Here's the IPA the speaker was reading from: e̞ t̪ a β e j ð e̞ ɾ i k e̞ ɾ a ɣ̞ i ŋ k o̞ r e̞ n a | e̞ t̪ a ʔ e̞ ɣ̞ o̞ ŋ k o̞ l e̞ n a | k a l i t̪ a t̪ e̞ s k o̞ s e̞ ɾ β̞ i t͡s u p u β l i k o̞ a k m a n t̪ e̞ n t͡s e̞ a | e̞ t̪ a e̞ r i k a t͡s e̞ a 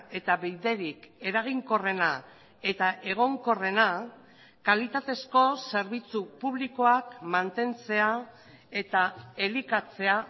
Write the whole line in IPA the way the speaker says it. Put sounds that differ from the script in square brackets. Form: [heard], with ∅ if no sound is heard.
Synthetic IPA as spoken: e̞ t̪ a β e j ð e̞ ɾ i k e̞ ɾ a ɣ̞ i ŋ k o̞ r e̞ n a | e̞ t̪ a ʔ e̞ ɣ̞ o̞ ŋ k o̞ [r] e̞ n a | k a l i t̪ a t̪ e̞ s k o̞ s e̞ ɾ β̞ i t͡s u p u β l i k o̞ a k m a n t̪ e̞ n t͡s e̞ a | e̞ t̪ a e̞ [l] i k a t͡s e̞ a